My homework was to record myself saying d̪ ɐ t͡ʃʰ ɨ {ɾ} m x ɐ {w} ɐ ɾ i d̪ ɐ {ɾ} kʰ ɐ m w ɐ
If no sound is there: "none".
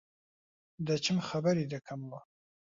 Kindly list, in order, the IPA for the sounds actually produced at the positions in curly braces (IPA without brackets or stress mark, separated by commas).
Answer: none, b, none